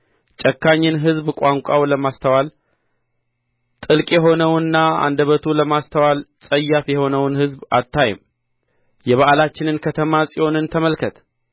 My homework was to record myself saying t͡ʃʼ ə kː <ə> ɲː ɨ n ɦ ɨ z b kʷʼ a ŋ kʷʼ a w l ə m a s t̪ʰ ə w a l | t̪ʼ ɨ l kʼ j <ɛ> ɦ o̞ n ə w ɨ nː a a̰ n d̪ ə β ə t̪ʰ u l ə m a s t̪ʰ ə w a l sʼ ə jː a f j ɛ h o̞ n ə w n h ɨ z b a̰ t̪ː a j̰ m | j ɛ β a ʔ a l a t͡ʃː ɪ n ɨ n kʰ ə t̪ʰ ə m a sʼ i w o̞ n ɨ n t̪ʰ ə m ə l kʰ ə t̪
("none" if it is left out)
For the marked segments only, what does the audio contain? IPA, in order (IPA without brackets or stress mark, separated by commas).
a, ɛ